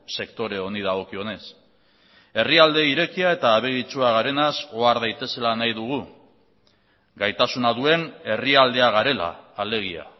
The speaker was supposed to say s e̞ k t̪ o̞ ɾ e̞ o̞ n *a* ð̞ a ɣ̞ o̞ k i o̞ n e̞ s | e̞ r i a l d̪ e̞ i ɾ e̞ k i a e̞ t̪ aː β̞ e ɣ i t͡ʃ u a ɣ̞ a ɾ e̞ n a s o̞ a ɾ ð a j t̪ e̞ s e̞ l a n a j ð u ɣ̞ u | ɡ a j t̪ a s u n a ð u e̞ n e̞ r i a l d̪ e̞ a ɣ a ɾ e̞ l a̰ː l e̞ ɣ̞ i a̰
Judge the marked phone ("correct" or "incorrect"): incorrect